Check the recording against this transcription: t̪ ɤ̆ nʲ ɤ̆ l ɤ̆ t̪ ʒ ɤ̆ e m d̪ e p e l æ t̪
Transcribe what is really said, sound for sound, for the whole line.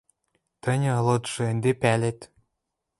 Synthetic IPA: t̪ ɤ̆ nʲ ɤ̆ l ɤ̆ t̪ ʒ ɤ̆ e n d̪ e p æ l e t̪